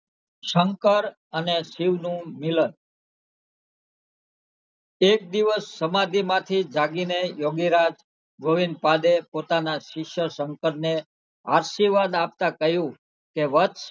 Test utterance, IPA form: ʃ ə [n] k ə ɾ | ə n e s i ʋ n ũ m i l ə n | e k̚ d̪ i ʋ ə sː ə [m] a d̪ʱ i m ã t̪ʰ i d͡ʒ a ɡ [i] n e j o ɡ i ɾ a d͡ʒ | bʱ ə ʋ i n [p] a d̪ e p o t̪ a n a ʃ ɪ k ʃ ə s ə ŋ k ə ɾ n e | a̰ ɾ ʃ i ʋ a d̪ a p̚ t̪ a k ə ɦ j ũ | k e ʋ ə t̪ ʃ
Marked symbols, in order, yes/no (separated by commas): no, yes, yes, yes